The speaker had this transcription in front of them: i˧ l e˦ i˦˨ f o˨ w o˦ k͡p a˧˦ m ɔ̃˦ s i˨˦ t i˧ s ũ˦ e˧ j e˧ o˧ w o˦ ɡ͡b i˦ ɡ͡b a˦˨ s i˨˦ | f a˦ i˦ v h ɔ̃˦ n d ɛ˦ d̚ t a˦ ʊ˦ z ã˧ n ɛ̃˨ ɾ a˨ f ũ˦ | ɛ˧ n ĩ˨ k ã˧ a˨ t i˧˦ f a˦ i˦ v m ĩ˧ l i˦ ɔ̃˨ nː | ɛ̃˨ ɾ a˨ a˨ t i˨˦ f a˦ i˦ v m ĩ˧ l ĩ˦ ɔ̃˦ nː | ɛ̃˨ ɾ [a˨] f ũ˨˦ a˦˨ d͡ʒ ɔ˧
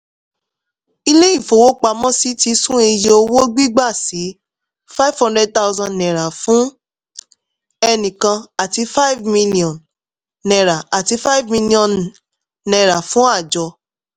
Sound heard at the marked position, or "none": a˨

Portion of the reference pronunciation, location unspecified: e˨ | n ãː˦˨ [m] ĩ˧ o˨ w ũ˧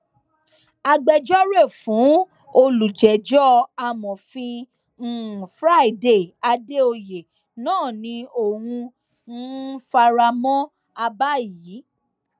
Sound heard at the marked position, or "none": n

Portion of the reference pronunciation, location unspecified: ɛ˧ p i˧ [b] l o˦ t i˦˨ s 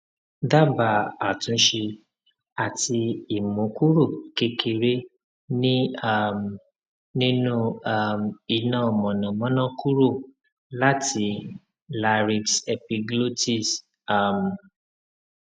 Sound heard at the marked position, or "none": ɡ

